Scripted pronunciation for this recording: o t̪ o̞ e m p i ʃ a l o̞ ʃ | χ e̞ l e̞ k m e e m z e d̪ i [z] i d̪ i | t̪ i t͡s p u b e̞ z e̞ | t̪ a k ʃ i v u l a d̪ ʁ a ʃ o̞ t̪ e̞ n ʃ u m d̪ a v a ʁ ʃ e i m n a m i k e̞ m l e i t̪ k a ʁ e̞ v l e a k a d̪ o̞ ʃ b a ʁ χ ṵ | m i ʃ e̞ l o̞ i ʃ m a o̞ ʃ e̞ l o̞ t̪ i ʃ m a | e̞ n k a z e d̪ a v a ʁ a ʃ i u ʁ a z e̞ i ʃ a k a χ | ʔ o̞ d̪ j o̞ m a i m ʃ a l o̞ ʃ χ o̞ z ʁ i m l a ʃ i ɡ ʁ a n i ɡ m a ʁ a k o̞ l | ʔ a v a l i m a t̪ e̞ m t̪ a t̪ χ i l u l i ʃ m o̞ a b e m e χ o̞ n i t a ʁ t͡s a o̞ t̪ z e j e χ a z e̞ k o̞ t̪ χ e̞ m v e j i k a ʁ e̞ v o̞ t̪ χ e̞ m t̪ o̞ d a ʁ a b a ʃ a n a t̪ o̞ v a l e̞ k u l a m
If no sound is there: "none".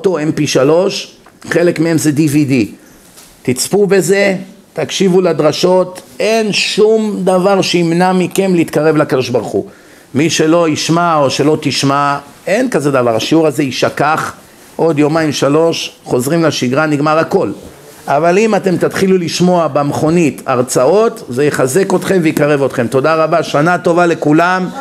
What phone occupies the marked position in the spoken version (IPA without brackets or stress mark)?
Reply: v